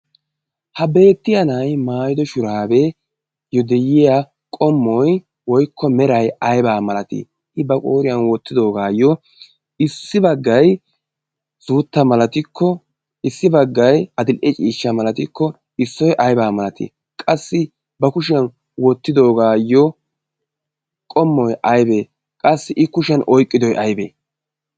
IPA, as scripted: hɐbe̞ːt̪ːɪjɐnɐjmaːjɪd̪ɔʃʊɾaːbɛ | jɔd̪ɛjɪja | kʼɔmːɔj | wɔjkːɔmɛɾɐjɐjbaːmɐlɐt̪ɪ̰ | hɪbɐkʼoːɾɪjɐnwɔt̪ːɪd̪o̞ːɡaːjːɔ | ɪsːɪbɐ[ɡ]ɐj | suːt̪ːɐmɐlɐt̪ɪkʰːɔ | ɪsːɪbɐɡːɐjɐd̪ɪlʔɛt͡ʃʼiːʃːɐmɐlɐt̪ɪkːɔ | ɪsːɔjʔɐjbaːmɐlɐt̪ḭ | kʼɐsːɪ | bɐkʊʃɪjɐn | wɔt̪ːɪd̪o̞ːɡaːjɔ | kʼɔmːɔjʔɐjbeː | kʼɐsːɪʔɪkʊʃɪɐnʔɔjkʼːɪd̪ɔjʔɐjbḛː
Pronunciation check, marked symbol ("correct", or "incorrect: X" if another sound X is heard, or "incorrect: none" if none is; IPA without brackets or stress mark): incorrect: ɡː